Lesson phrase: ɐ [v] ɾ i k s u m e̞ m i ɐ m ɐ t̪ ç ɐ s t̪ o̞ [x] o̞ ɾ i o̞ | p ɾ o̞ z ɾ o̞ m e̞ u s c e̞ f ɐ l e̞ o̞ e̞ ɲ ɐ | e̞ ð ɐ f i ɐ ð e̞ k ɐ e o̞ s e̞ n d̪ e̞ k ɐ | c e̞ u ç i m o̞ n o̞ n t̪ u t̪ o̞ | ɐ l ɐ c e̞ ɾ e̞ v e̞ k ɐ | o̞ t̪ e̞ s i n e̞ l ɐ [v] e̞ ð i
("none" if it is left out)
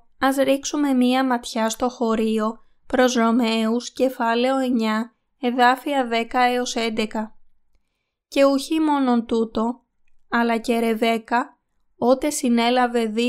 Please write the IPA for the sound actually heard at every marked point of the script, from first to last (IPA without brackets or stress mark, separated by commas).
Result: z, x, v